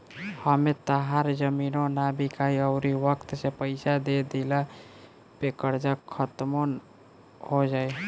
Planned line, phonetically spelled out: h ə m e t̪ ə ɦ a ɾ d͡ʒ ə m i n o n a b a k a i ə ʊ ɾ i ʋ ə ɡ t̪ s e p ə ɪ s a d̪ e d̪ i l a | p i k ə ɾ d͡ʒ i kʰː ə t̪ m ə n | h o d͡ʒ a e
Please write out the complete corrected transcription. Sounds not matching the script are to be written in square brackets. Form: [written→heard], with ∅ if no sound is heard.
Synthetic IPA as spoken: h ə m e t̪ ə ɦ a ɾ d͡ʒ ə m i n o n a b [a→i] k a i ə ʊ ɾ i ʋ ə [ɡ→k] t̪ s e p ə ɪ s a d̪ e d̪ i l a | p [i→e] k ə ɾ d͡ʒ [i→a] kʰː ə t̪ m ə n | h o d͡ʒ a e